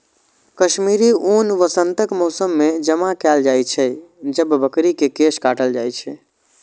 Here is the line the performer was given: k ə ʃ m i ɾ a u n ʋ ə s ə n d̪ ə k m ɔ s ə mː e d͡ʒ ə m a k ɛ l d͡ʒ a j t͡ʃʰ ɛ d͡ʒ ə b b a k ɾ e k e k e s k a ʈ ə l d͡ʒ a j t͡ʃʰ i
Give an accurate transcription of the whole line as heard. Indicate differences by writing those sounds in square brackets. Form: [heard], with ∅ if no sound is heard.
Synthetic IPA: k ə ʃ m i ɾ [i] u n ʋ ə s ə n [t̪] ə k m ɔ s ə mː e d͡ʒ ə m a k ɛ l d͡ʒ a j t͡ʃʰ ɛ d͡ʒ ə b b [ə] k ɾ [i] k e k e s k a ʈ ə l d͡ʒ a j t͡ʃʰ [ɛ]